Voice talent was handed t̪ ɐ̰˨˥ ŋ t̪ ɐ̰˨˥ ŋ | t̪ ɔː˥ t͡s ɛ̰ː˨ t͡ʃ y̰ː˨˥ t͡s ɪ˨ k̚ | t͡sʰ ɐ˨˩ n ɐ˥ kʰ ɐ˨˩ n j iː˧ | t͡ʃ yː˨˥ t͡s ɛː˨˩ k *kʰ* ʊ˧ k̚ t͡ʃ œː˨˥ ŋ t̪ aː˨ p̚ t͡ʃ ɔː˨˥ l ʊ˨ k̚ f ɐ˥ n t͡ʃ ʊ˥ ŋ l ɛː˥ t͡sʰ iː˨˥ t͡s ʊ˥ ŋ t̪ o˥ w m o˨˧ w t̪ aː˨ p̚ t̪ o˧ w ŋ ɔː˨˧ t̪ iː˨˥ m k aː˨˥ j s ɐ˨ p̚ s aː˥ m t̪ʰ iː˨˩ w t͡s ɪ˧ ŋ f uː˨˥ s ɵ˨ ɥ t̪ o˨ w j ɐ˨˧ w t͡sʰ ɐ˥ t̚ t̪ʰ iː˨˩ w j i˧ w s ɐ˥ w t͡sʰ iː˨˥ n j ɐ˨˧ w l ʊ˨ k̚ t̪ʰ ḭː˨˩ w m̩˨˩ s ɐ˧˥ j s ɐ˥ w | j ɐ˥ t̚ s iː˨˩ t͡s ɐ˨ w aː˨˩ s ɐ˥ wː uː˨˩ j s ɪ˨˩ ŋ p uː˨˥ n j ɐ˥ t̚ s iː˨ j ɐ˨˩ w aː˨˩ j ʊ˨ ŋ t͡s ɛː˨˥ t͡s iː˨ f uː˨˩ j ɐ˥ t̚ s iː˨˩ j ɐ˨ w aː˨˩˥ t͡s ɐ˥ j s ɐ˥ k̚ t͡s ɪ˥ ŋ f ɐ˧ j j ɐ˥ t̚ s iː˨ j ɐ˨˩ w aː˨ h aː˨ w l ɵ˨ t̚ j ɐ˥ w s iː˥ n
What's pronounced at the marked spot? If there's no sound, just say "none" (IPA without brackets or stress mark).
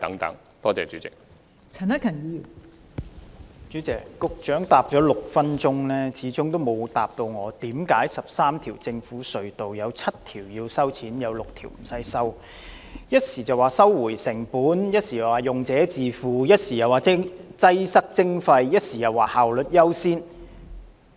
k